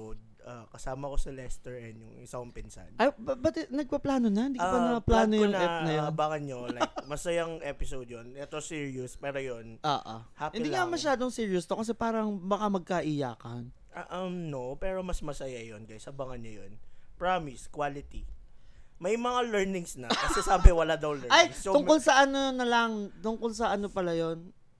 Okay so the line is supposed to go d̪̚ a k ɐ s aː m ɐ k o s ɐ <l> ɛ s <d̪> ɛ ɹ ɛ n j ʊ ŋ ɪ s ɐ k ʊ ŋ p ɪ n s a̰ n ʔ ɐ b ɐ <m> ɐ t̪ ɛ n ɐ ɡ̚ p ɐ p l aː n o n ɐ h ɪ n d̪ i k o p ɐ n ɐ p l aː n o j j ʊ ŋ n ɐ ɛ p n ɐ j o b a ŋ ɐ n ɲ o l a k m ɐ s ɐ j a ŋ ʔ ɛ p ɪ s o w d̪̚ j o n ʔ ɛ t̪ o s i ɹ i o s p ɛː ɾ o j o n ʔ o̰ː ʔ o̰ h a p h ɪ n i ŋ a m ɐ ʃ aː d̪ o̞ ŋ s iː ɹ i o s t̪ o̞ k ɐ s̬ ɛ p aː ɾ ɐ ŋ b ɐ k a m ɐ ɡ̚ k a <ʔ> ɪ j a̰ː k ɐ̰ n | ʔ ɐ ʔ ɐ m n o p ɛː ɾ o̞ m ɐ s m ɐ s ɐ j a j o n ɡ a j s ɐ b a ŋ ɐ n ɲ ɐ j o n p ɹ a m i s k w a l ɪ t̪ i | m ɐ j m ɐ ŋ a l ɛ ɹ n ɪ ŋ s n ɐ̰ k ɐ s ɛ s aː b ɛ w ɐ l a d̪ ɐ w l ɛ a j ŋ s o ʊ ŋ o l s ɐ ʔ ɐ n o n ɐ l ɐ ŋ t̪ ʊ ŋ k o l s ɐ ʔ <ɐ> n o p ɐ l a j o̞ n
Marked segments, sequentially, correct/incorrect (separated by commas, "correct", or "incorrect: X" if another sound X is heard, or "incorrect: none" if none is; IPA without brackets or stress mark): correct, incorrect: t̪, incorrect: b, correct, correct